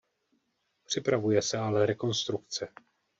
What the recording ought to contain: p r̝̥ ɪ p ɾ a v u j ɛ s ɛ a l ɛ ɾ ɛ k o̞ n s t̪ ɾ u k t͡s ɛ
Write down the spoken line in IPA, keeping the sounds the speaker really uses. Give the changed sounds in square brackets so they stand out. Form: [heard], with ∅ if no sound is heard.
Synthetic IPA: p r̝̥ ɪ p ɾ a v u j ɛ s ɛ a l ɛ ɾ ɛ k o̞ n s t̪ ɾ u k t͡s ɛ